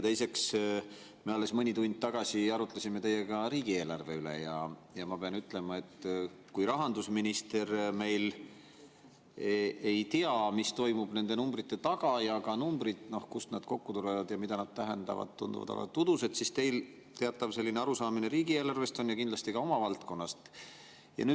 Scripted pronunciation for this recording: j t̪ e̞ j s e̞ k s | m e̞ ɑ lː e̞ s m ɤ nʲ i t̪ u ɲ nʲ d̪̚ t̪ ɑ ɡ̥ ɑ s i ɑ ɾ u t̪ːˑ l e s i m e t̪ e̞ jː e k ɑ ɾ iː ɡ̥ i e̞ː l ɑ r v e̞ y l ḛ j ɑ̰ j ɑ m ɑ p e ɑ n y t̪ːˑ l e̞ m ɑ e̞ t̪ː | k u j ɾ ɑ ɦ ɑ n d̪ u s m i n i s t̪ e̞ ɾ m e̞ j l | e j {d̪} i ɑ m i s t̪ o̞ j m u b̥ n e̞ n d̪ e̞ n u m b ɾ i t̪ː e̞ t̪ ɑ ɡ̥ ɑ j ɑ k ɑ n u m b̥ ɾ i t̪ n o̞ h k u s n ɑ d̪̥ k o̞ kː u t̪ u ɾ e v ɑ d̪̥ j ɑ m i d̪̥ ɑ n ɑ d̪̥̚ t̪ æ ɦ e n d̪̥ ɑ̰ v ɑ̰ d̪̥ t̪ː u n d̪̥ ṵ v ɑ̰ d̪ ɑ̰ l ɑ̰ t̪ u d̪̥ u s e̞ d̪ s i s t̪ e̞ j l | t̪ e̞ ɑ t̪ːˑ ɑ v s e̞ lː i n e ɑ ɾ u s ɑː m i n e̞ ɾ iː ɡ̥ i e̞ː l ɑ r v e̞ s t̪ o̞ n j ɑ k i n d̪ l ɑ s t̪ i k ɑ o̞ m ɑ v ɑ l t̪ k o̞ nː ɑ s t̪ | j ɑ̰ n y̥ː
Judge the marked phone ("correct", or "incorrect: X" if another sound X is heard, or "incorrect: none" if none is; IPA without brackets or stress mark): incorrect: t̪